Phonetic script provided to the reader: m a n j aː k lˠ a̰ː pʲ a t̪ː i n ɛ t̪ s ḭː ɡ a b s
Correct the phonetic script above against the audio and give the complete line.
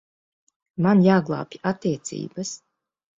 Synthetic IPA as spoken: m a n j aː ɡ lˠ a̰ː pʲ a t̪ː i ɛ t̪ s ḭː b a s